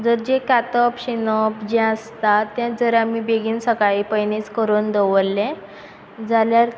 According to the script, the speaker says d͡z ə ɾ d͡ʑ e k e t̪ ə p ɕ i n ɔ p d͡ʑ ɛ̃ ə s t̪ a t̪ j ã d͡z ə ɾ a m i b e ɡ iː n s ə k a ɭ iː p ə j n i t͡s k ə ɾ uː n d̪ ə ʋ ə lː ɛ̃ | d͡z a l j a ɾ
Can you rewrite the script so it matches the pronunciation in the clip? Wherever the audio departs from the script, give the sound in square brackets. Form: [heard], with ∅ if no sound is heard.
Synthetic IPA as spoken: d͡z ə ɾ d͡ʑ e k [a] t̪ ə p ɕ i n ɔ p d͡ʑ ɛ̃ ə s t̪ a t̪ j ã d͡z ə ɾ a m i b e ɡ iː n s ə k a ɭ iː p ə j n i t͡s k ə ɾ uː n d̪ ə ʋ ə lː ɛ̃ | d͡z a l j a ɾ